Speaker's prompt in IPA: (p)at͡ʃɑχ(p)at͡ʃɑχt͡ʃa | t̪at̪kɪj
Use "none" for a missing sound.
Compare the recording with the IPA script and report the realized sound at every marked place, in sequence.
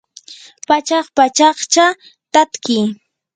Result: p, p

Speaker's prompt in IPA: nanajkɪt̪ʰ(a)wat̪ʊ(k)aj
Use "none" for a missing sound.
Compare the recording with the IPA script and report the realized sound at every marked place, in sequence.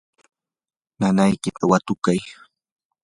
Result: a, k

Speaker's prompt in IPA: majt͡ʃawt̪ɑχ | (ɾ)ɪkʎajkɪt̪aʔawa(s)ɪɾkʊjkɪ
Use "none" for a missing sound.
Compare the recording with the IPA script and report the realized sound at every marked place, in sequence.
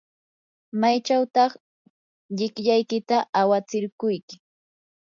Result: ʎ, t͡s

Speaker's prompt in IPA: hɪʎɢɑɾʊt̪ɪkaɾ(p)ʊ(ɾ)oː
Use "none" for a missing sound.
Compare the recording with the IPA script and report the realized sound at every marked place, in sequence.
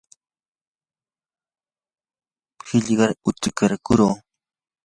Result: k, ɾ

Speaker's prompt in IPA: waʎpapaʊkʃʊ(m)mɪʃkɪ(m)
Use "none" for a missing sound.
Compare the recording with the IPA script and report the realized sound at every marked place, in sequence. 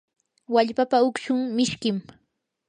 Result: ŋ, m

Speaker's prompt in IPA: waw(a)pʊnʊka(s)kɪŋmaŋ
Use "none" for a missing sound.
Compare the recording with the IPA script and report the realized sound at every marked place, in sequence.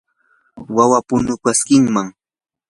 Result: a, s

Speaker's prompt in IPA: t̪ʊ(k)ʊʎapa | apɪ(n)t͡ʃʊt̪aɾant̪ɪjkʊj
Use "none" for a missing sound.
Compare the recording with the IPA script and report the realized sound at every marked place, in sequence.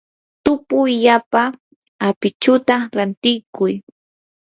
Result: p, none

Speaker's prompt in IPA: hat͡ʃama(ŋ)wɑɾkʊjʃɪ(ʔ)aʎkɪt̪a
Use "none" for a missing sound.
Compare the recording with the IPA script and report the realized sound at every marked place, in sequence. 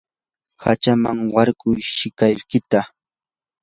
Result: ŋ, k

